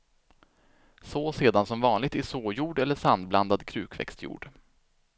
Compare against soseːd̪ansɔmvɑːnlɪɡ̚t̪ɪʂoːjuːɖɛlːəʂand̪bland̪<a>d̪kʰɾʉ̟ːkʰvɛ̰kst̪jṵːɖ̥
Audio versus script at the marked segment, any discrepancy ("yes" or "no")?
no